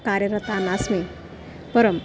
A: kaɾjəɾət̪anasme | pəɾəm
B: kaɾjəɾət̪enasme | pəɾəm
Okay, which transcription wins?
A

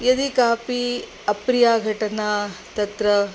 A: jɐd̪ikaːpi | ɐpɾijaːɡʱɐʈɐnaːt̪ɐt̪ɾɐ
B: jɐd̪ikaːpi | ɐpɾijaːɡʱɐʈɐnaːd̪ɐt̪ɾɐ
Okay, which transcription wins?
A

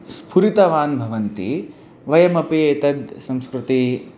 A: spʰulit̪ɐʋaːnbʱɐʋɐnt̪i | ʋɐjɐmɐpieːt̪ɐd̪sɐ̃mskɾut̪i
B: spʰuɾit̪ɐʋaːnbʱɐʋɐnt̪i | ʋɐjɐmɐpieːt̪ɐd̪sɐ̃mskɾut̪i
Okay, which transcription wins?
B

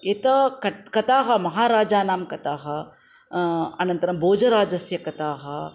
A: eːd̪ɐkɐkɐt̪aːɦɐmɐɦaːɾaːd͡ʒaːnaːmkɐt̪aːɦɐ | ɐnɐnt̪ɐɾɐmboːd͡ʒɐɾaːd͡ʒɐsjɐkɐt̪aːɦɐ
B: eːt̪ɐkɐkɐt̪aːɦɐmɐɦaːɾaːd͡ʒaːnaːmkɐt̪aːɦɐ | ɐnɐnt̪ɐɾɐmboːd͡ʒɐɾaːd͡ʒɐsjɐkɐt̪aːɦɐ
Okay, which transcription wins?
B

